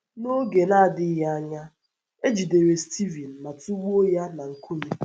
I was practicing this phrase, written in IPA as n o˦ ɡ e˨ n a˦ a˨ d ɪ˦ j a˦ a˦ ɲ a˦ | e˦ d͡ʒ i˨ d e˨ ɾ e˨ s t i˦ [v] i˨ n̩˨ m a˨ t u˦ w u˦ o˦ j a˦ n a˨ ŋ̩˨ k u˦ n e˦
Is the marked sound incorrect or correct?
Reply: correct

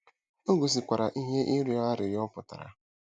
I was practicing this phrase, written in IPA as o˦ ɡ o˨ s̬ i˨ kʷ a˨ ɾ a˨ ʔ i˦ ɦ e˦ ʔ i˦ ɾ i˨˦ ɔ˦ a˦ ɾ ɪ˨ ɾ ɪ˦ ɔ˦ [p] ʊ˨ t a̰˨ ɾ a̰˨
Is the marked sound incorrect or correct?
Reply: correct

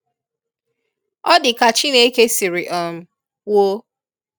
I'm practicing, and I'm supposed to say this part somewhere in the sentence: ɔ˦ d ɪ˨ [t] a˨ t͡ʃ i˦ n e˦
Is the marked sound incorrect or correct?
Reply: incorrect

